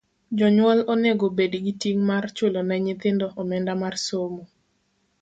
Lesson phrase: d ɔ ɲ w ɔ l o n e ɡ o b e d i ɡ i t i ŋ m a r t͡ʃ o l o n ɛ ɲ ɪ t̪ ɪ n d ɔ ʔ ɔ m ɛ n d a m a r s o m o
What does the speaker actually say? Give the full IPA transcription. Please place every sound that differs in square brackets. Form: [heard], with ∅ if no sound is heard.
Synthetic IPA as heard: [d͡ʒ] ɔ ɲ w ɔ l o n e ɡ o b e d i ɡ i t i ŋ m a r t͡ʃ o l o n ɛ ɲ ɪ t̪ ɪ n d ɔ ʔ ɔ m ɛ n d a m a r s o m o